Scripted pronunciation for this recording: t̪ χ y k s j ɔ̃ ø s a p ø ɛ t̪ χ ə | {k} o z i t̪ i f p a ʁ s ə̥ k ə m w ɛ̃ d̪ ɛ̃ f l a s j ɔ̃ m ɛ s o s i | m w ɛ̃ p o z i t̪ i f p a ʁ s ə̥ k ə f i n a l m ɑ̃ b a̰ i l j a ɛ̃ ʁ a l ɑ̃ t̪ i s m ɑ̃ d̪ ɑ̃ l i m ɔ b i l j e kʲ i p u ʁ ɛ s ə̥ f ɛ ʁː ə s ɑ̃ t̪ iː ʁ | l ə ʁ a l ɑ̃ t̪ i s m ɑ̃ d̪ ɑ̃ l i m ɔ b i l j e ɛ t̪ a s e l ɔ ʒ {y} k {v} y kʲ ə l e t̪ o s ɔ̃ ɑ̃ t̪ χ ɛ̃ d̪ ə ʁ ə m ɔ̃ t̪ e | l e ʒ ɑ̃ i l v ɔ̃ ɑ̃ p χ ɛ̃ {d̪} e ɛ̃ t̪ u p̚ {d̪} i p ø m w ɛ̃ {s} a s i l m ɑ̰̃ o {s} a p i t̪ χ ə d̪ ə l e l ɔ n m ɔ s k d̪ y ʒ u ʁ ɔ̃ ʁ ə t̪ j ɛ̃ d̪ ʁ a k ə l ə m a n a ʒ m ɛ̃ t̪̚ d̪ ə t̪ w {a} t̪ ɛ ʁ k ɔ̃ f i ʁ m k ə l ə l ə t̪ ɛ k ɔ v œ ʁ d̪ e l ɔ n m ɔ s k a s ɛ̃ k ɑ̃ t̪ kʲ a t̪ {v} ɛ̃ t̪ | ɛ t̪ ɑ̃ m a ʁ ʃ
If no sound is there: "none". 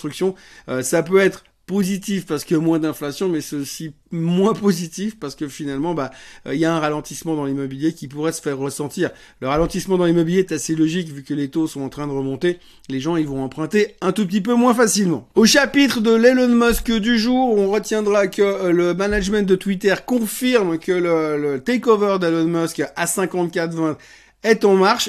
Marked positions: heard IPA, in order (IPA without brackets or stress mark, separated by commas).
p, i, v, t̪, t̪, f, ʃ, i, v